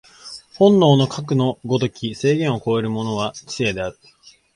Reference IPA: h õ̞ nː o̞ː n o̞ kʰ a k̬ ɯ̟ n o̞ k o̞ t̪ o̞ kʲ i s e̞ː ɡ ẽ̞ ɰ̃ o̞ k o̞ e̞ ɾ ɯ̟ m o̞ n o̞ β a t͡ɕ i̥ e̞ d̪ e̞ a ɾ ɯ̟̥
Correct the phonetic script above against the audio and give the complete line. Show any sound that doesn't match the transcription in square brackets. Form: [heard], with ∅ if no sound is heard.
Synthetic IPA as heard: h õ̞ nː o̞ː n o̞ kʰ a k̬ ɯ̟ n o̞ [ɡ] o̞ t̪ o̞ kʲ i s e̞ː ɡ ẽ̞ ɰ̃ o̞ k o̞ e̞ ɾ ɯ̟ m o̞ n o̞ β a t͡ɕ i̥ e̞ d̪ e̞ a ɾ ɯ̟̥